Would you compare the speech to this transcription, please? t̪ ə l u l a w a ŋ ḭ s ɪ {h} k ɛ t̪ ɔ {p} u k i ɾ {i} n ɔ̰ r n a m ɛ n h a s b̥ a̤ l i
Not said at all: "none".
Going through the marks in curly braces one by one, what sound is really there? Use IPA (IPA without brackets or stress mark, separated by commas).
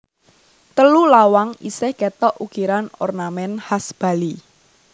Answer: h, ʔ, a